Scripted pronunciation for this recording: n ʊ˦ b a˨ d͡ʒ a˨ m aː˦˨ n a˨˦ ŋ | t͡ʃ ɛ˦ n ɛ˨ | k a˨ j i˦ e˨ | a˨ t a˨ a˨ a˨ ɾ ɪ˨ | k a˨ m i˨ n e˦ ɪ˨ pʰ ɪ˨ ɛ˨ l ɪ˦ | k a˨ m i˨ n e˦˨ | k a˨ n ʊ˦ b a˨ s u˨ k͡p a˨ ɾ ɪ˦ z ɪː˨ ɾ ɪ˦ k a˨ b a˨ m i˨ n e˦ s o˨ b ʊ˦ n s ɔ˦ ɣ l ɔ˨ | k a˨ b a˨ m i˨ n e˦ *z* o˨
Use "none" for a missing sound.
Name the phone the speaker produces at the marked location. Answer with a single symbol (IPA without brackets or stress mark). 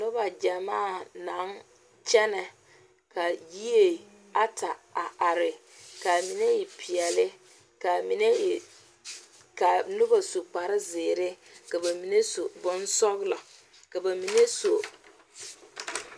s